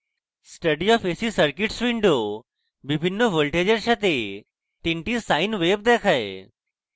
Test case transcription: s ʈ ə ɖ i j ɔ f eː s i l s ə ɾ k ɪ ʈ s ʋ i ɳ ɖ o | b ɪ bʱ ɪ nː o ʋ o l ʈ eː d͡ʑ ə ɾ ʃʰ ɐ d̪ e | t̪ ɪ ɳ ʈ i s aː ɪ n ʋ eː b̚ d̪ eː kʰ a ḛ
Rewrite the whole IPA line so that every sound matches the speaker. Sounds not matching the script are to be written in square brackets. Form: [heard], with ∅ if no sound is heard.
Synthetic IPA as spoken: s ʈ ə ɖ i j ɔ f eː s i [∅] s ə ɾ k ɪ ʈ s ʋ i ɳ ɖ o | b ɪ bʱ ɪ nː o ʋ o l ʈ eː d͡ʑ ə ɾ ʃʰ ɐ [t̪] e | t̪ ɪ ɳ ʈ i s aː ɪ n ʋ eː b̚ d̪ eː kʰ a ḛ